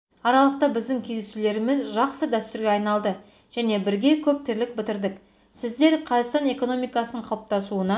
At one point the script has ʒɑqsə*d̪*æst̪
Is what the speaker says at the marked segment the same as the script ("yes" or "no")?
yes